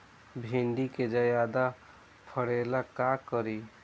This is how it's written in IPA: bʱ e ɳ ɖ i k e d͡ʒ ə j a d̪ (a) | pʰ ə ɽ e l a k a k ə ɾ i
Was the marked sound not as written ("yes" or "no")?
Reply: no